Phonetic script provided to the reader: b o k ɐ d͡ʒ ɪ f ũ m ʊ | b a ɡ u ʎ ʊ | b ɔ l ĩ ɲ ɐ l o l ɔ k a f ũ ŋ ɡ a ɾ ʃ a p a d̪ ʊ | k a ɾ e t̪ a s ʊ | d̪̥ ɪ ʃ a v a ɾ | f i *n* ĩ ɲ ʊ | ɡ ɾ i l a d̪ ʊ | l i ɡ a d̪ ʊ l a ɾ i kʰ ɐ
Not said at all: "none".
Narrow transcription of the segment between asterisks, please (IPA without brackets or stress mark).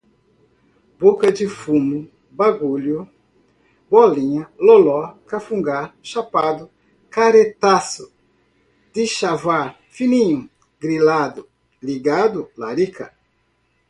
n